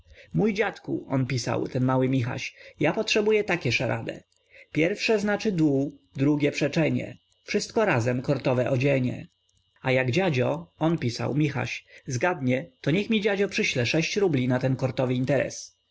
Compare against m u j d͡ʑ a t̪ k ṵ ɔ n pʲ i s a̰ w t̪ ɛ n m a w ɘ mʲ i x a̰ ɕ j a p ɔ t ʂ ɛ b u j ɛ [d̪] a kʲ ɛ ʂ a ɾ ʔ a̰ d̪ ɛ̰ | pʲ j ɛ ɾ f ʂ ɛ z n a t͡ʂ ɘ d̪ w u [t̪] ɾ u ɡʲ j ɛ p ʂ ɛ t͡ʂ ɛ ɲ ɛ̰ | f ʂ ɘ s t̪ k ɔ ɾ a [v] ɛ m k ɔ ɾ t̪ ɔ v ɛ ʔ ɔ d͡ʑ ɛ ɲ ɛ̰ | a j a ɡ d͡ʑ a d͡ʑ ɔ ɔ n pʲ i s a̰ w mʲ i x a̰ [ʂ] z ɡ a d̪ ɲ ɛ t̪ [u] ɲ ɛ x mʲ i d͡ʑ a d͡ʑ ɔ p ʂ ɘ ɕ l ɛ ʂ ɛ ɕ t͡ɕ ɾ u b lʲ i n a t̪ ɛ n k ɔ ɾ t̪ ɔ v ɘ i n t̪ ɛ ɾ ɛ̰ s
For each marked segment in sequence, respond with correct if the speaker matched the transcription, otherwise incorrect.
incorrect: t̪, incorrect: d̪, incorrect: z, incorrect: ɕ, incorrect: ɔ

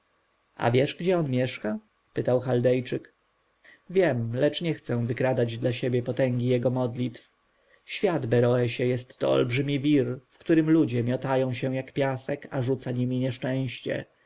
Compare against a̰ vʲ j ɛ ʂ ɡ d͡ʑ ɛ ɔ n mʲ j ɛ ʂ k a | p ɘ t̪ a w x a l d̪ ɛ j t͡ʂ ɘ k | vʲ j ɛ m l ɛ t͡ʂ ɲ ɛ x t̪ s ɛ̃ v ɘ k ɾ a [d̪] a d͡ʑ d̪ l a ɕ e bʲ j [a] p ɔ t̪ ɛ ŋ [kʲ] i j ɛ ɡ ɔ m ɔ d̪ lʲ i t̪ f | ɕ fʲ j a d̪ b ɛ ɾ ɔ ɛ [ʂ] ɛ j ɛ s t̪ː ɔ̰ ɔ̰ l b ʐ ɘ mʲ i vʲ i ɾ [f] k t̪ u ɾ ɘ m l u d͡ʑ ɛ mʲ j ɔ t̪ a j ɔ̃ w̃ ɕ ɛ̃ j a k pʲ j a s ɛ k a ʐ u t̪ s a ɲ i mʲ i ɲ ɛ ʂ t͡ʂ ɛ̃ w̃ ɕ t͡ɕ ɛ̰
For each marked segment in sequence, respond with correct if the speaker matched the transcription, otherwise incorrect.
correct, incorrect: ɛ, incorrect: ɡʲ, incorrect: ɕ, correct

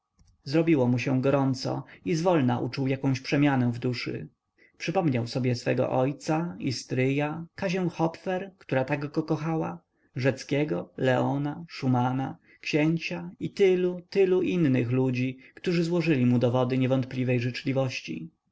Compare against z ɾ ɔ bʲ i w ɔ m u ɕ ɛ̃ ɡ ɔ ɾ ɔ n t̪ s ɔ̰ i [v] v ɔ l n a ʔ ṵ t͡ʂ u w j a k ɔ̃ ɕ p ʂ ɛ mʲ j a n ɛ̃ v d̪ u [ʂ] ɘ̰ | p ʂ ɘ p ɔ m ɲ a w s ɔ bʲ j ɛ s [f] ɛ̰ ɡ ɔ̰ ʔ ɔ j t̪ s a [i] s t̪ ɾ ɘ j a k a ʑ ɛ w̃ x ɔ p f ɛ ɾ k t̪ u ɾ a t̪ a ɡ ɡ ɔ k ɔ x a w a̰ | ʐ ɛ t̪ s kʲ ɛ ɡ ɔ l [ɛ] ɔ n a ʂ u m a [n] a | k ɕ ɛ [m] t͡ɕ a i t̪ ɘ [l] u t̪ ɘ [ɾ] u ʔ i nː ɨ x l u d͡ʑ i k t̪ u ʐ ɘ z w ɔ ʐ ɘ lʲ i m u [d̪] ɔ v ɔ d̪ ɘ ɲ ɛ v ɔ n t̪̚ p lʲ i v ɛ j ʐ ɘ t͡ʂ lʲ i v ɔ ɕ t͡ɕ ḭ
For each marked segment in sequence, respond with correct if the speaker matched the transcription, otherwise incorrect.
incorrect: z, correct, correct, correct, correct, correct, incorrect: ɲ, correct, incorrect: l, correct

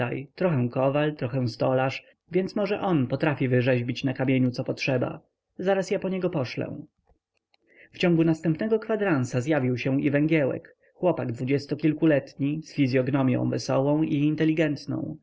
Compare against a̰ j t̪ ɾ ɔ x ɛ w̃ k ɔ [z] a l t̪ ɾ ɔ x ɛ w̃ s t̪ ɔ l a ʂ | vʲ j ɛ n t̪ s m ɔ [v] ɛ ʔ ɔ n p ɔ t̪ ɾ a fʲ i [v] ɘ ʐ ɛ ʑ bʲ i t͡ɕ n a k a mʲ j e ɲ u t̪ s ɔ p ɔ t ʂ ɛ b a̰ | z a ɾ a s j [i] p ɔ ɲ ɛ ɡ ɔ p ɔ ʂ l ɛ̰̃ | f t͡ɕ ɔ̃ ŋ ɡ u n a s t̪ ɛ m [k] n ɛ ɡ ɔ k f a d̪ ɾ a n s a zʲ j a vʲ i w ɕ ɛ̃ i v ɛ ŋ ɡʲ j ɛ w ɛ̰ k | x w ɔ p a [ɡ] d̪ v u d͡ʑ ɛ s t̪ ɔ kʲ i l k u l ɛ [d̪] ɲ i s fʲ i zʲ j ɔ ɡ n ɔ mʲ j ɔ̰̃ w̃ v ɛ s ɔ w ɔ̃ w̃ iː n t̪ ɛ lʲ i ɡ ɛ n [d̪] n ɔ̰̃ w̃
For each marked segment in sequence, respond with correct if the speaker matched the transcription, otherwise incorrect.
incorrect: v, incorrect: ʐ, correct, incorrect: a, incorrect: p, correct, incorrect: t̪, incorrect: t̪

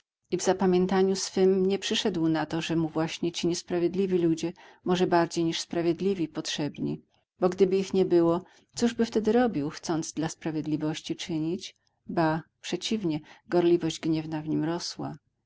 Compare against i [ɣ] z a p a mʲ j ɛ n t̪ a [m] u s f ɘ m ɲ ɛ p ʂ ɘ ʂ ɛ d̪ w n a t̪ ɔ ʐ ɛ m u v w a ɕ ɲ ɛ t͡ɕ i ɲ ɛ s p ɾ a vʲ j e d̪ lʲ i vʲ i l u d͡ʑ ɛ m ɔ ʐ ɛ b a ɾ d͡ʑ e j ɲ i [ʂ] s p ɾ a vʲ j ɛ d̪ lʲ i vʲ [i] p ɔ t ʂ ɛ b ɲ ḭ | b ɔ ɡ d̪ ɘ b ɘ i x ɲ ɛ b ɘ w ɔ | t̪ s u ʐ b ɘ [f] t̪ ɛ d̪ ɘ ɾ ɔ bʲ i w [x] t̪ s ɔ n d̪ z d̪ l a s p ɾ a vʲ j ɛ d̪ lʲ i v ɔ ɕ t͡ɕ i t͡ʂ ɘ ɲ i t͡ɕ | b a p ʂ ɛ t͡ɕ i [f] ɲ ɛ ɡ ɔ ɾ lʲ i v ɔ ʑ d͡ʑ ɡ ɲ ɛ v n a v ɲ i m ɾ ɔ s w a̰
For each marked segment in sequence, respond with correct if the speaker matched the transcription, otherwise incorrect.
incorrect: v, incorrect: ɲ, correct, correct, correct, correct, incorrect: v

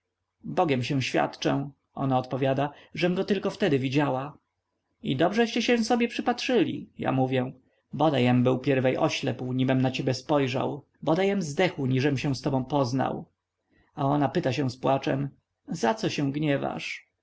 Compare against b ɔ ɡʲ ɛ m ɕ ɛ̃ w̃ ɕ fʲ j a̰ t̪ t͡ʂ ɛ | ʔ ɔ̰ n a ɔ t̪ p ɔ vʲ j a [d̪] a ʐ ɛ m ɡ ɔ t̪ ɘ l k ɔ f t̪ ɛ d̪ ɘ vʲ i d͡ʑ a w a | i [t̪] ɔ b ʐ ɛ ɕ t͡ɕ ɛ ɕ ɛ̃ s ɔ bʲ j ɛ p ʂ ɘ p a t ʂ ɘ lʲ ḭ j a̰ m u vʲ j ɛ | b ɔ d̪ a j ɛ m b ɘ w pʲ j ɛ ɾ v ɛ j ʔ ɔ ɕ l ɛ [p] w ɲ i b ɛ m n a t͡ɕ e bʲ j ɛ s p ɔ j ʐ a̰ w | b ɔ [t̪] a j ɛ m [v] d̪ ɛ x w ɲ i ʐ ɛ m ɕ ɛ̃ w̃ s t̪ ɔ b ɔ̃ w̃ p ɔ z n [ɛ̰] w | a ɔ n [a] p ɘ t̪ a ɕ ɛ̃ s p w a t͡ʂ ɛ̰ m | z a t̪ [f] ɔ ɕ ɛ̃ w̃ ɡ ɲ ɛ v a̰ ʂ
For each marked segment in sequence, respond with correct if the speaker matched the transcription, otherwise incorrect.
correct, incorrect: d̪, correct, incorrect: d̪, incorrect: z, incorrect: a̰, correct, incorrect: s

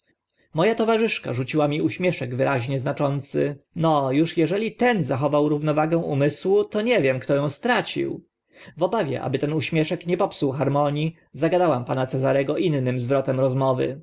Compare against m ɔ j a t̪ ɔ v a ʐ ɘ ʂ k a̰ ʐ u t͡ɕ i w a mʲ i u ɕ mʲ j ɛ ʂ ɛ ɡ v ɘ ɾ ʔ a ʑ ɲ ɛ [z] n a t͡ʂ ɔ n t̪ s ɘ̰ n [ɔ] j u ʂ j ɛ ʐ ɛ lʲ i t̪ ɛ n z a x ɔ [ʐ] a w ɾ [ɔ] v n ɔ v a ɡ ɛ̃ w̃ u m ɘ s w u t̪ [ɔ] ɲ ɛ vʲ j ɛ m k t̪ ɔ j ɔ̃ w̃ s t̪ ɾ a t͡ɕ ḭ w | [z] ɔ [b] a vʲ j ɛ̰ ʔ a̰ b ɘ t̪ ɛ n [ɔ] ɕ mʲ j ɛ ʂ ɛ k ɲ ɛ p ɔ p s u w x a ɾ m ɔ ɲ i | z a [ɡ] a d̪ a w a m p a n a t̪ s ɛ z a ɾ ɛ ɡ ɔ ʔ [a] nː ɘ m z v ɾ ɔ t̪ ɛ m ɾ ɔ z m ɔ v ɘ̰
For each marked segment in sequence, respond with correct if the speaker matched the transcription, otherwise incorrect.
correct, correct, incorrect: v, incorrect: u, correct, incorrect: v, correct, incorrect: u, correct, incorrect: i

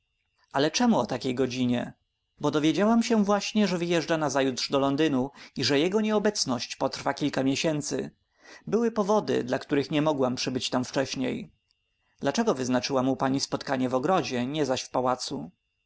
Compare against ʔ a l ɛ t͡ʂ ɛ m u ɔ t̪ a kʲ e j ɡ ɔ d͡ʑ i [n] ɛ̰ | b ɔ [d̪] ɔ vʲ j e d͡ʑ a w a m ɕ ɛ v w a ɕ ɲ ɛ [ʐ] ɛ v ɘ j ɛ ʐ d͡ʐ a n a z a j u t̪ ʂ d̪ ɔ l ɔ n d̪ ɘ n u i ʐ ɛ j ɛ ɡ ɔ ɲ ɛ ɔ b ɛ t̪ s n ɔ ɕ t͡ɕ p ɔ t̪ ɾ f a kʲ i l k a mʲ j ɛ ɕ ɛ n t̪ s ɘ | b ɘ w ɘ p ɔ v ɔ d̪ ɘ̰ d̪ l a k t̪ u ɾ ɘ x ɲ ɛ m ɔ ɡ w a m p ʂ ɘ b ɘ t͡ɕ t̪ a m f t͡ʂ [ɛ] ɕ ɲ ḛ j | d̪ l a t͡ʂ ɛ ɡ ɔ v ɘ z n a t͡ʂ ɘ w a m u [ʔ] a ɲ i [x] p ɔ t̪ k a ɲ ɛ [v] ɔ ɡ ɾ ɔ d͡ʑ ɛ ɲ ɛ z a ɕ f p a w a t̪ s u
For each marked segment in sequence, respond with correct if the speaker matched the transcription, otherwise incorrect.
incorrect: ɲ, correct, correct, correct, incorrect: p, incorrect: s, correct

